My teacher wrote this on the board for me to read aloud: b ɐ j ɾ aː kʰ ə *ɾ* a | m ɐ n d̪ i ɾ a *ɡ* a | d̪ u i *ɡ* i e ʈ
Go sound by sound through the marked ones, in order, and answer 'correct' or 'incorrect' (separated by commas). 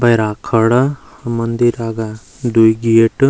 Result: incorrect, correct, correct